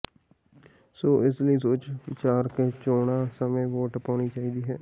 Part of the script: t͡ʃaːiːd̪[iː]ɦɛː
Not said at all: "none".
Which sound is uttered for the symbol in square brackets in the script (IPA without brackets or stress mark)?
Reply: iː